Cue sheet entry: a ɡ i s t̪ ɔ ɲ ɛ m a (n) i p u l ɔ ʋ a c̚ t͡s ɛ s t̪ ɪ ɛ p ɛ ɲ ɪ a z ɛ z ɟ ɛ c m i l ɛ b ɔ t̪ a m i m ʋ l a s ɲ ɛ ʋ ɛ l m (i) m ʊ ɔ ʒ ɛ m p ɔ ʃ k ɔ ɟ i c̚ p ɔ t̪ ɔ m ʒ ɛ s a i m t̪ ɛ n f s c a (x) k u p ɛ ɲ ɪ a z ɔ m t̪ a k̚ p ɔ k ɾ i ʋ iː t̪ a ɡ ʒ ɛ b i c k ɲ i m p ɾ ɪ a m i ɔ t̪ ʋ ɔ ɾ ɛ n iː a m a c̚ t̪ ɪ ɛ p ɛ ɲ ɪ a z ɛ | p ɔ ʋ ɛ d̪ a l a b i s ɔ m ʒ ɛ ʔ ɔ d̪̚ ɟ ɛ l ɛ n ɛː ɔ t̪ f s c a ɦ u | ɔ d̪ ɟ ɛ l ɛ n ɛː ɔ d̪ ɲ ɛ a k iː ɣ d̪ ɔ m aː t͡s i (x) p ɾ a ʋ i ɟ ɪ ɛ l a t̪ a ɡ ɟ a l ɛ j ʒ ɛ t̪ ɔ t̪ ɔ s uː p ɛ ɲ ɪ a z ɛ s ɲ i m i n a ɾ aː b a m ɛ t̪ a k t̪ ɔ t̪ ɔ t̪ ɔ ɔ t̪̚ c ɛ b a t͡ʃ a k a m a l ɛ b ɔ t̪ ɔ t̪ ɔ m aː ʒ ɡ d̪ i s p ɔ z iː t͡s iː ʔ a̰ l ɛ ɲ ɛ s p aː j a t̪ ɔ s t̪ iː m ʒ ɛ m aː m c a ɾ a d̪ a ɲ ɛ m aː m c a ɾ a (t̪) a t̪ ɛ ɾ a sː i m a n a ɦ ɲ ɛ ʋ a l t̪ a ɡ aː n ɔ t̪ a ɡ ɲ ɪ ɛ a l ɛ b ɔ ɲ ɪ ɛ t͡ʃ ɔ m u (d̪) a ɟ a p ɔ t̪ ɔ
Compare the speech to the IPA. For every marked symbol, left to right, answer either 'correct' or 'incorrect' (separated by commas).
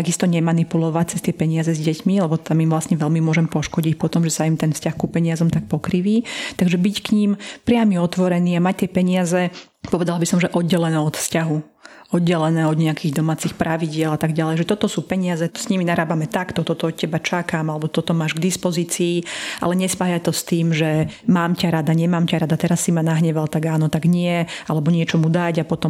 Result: correct, correct, correct, correct, incorrect, correct